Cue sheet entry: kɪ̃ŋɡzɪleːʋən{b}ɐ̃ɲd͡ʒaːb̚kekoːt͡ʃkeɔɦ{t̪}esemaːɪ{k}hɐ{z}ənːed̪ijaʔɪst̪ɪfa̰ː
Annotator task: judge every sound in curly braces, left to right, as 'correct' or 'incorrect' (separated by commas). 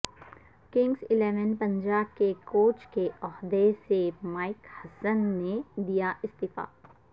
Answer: incorrect, incorrect, correct, incorrect